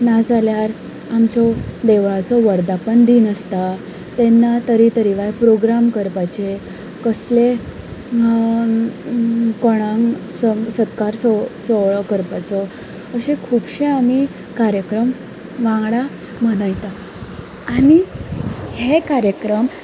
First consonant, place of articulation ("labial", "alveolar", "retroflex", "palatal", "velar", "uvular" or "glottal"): alveolar